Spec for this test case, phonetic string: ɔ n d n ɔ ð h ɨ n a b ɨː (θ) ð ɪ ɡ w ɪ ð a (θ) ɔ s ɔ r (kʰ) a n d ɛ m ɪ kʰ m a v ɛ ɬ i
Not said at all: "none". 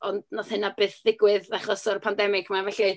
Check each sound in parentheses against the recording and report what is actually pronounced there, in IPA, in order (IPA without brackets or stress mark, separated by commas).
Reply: θ, χ, pʰ